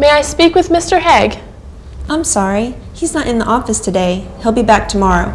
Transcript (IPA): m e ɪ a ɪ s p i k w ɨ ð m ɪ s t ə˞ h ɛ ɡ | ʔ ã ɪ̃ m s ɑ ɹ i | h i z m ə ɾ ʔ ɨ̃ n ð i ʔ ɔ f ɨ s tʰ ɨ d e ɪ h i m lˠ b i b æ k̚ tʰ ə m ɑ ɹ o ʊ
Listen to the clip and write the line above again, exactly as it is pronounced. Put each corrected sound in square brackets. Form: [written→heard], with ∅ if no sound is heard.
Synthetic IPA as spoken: m e ɪ a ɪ s p i k w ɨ ð m ɪ s t ə˞ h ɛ ɡ | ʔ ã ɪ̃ m s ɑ ɹ i | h i z [m→n] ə ɾ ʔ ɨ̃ n ð i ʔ ɔ f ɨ s tʰ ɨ d e ɪ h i [m→∅] lˠ b i b æ k̚ tʰ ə m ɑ ɹ o ʊ